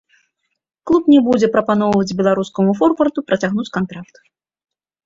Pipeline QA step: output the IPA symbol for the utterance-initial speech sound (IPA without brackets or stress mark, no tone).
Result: k